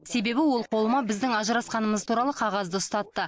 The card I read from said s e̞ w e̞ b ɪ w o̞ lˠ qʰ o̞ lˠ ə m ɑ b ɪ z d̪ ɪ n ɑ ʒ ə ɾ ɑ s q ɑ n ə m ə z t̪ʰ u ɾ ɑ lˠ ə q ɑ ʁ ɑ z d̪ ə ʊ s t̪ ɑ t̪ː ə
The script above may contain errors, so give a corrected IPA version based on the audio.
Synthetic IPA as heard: s e̞ b e̞ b ɪ w o̞ lˠ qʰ o̞ lˠ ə m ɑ b ɪ z d̪ ɪ ŋ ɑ ʒ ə ɾ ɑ s q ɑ n ə m ə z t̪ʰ u ɾ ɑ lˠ ə qʰ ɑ ʁ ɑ z d̪ ə ʊ s t̪ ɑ t̪ː ə